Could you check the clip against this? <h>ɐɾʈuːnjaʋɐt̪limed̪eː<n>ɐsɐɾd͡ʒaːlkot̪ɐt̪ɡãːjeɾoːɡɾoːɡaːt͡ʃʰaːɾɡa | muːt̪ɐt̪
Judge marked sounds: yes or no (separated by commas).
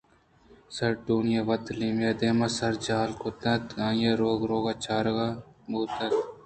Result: no, no